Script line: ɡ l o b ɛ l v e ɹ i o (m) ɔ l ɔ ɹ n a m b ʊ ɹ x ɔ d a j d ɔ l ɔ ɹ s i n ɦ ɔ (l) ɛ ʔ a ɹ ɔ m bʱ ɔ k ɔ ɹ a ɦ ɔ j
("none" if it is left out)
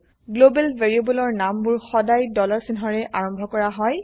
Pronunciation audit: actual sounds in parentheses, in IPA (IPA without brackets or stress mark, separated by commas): b, ɹ